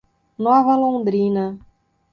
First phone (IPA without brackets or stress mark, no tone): n